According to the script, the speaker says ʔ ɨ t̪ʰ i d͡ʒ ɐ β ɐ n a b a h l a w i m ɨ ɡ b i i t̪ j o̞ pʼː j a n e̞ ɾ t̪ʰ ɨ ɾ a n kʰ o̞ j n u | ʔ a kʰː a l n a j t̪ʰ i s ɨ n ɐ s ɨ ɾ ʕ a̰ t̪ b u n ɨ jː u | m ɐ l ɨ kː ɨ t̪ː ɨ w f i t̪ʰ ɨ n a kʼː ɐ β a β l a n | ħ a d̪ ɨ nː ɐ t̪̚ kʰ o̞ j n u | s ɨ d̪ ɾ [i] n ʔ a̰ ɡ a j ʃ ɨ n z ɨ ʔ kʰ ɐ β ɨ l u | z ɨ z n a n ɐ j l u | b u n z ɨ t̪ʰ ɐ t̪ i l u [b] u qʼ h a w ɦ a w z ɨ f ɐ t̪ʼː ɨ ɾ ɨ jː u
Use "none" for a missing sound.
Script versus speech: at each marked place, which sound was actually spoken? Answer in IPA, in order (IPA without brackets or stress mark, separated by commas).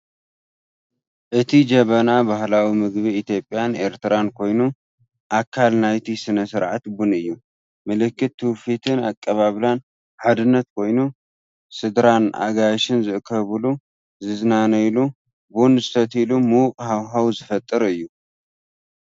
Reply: a, m